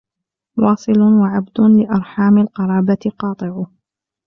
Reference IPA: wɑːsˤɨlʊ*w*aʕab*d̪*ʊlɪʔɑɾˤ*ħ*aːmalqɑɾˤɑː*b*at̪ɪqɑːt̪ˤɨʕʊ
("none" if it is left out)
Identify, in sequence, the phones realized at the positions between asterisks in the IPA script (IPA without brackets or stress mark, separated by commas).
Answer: w, d̪, ħ, b